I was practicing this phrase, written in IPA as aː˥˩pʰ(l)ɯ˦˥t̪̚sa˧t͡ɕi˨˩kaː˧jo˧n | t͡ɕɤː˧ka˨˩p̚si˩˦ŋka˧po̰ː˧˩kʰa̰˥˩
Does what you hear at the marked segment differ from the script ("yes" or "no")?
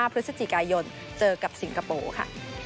yes